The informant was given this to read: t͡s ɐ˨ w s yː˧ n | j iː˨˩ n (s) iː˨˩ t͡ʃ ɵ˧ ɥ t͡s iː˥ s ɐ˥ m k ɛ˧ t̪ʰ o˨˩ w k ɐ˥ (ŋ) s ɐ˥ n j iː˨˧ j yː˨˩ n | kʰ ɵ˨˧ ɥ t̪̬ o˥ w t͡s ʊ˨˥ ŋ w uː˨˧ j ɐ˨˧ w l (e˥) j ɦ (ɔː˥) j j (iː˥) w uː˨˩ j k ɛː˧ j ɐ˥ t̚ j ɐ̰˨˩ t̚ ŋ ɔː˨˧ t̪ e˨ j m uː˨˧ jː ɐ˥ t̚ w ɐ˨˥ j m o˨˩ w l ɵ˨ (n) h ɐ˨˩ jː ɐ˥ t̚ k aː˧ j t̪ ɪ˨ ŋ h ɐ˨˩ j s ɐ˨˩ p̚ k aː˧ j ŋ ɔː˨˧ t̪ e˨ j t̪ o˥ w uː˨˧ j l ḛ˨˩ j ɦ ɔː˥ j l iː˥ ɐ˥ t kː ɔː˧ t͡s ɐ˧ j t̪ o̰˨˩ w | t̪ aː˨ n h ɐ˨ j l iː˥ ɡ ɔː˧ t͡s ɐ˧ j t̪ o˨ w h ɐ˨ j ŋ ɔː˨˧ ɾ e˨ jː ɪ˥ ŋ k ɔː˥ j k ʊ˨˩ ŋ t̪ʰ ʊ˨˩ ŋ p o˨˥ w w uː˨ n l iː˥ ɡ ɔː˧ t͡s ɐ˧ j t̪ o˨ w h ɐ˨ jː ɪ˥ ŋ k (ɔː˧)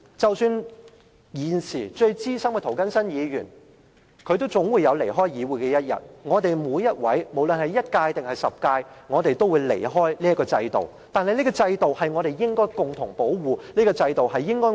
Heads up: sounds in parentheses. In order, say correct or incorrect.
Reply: correct, incorrect: n, incorrect: e˨˩, correct, incorrect: iː˨˧, correct, incorrect: ɔː˥

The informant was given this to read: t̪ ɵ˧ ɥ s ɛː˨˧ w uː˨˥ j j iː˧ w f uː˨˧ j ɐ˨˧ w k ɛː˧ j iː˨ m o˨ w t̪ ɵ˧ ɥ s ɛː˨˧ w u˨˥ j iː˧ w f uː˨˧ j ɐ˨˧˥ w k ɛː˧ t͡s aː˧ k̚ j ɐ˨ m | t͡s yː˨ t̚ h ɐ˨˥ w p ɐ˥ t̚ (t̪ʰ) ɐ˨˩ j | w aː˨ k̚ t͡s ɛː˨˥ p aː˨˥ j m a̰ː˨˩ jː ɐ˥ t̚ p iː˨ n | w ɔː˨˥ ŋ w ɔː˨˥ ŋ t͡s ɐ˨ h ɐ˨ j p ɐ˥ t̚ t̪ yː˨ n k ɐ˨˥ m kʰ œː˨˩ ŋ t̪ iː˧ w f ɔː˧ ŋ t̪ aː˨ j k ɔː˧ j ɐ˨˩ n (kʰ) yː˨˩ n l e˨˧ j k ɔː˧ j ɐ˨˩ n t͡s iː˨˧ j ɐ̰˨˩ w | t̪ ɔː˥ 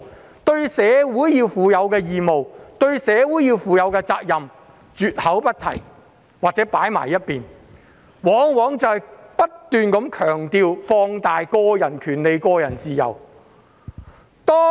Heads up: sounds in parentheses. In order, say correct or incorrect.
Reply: correct, correct

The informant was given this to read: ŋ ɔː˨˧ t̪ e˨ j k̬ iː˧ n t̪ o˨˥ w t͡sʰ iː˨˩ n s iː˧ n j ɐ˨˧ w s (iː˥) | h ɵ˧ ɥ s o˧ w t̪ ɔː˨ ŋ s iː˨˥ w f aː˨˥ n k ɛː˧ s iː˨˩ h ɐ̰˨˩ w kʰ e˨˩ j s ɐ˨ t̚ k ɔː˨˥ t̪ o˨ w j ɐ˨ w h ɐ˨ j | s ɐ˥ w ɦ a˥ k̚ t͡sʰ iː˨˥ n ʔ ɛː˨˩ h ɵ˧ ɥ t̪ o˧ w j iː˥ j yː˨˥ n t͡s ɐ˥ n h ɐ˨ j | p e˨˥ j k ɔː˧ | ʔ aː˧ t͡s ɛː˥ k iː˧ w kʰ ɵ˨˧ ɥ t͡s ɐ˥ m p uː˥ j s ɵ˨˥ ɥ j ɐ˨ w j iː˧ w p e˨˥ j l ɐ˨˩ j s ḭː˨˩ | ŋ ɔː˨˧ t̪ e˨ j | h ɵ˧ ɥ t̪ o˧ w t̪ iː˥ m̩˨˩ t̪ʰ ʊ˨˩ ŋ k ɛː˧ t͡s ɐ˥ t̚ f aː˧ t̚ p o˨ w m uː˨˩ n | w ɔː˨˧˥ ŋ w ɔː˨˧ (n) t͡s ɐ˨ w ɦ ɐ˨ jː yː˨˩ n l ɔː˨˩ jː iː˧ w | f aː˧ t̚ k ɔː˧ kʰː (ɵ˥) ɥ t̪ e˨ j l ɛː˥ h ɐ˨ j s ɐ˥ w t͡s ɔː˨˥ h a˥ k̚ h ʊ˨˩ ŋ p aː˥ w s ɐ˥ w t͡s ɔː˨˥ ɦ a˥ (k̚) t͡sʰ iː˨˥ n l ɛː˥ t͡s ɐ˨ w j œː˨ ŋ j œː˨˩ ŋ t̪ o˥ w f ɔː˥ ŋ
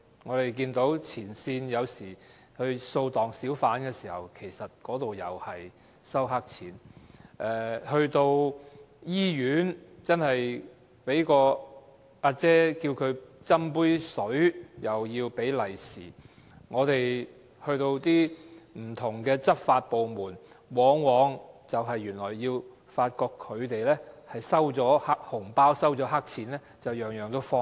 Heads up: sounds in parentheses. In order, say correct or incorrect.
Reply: incorrect: iː˨˩, incorrect: ŋ, incorrect: ɵ˨˧, correct

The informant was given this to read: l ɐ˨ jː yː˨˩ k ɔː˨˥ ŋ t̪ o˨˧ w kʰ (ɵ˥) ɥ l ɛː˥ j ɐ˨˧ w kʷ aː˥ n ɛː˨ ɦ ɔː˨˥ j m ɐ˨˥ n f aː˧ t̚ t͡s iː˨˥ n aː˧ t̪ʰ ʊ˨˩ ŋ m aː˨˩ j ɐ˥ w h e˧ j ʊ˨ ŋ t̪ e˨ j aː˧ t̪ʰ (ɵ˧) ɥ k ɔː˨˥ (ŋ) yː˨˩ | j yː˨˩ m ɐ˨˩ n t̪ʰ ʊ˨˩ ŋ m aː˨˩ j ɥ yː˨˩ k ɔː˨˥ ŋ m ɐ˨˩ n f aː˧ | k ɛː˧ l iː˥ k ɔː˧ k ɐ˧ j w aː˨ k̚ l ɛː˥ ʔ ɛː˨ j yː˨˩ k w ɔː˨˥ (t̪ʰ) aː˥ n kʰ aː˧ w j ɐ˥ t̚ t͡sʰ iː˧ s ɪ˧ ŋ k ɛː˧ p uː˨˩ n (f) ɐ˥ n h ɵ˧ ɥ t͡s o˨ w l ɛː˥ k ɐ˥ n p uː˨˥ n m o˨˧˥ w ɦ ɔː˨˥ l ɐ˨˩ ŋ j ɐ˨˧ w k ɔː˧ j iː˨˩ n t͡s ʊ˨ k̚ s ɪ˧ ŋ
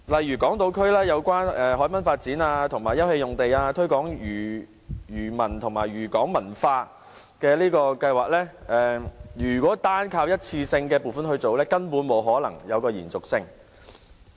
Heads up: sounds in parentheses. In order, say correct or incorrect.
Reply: correct, incorrect: ɵ˥, correct, incorrect: t̪, correct

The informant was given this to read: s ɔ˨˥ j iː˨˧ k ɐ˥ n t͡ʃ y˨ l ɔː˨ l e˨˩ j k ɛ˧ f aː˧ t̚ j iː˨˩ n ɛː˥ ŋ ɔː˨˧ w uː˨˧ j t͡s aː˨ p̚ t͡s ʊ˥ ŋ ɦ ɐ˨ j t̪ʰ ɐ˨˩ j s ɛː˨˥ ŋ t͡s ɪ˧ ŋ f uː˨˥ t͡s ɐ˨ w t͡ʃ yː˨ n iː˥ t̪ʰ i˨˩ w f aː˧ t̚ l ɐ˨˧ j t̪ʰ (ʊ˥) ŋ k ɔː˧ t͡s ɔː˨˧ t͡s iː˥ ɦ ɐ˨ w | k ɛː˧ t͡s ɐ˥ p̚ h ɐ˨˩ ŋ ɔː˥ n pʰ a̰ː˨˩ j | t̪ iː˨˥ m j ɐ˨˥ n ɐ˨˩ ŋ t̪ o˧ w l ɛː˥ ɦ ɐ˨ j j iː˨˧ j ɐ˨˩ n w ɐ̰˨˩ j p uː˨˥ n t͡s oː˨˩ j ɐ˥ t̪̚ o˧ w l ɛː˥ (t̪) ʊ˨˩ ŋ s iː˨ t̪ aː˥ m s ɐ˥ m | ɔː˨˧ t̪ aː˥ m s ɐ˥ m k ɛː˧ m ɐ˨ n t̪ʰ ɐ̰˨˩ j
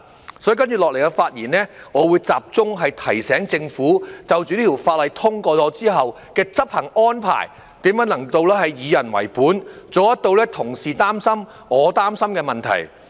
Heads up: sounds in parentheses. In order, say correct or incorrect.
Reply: correct, incorrect: t̪ʰ

